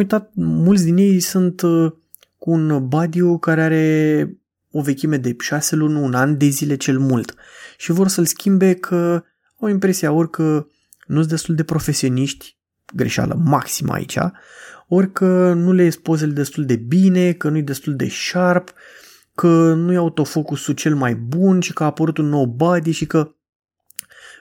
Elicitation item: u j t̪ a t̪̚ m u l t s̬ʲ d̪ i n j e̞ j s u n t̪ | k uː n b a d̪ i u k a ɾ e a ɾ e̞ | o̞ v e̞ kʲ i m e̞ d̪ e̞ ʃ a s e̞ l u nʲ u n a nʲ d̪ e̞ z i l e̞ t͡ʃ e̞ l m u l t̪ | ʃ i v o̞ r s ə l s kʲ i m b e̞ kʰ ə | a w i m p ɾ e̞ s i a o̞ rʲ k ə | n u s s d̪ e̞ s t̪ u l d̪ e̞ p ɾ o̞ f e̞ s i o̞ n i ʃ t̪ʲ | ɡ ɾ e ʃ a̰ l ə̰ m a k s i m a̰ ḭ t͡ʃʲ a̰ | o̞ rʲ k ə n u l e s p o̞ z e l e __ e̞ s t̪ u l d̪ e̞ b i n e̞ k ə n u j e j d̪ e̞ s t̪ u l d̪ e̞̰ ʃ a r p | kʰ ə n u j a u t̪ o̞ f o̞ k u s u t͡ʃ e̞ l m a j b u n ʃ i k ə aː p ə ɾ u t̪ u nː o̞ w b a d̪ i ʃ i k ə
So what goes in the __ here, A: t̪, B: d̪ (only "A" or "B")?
B